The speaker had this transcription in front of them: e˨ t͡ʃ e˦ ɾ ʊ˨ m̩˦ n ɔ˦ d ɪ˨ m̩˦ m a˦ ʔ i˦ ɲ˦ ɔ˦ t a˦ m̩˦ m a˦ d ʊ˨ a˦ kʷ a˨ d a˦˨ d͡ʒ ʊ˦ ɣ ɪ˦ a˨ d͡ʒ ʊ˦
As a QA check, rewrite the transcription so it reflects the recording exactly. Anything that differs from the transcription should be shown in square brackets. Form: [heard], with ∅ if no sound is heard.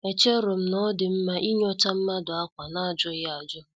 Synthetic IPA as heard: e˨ t͡ʃ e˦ ɾ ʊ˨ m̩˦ n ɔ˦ d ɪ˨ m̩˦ m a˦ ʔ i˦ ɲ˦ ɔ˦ t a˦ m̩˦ m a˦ d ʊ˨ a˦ kʷ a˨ [n] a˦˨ d͡ʒ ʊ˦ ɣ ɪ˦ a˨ d͡ʒ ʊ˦